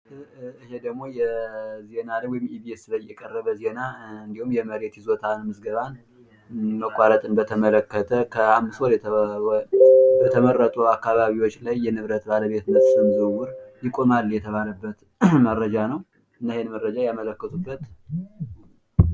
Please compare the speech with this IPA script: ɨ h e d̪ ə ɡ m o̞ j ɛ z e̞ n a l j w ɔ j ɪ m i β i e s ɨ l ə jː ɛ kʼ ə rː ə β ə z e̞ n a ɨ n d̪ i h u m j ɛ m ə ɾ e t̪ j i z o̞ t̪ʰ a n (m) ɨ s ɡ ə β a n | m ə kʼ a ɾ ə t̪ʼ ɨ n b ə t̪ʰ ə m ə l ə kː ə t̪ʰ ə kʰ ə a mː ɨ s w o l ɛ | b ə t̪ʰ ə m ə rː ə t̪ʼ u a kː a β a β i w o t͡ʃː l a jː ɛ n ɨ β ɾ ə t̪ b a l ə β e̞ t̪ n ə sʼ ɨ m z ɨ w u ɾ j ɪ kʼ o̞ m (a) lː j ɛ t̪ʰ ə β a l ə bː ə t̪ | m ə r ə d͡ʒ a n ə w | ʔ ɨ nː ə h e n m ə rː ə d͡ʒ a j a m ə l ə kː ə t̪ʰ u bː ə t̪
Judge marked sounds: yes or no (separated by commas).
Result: yes, yes